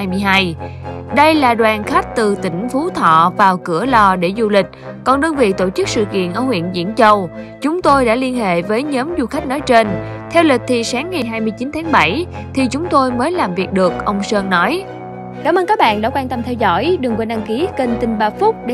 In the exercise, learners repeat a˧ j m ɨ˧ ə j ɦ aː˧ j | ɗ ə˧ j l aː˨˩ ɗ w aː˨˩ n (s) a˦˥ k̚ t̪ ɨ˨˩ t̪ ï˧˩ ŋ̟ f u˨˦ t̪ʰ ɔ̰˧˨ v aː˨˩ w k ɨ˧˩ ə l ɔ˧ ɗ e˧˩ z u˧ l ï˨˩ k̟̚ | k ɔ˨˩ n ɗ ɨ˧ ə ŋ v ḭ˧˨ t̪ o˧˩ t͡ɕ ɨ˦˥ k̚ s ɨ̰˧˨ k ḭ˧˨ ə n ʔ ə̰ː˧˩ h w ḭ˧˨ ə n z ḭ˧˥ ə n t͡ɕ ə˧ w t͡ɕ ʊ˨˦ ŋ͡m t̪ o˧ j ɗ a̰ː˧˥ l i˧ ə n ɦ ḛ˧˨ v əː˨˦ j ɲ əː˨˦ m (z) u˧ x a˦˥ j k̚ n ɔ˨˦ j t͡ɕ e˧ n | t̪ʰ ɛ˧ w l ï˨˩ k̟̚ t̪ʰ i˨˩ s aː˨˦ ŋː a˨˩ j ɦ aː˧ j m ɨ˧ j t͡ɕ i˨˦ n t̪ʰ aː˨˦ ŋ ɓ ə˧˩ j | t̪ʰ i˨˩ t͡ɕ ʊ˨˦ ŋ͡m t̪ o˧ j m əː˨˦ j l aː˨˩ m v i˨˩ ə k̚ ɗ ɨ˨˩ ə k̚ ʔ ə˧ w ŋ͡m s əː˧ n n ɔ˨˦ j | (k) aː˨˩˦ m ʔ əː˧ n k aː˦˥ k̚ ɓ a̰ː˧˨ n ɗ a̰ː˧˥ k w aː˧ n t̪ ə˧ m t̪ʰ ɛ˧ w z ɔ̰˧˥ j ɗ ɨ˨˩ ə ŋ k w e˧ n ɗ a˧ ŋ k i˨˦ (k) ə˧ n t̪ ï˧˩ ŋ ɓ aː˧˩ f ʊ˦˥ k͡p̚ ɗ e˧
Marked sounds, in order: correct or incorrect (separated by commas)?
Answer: incorrect, correct, correct, correct